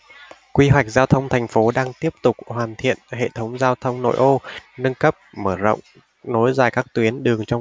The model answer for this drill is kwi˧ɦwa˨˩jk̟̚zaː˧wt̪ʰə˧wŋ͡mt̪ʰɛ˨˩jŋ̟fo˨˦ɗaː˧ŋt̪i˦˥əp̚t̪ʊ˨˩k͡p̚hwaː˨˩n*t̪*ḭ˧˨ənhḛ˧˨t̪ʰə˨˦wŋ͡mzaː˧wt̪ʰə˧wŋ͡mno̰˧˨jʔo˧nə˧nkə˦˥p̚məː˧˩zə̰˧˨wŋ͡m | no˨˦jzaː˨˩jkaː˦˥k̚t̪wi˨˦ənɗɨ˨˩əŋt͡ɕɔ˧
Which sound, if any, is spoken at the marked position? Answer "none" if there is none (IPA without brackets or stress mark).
t̪ʰ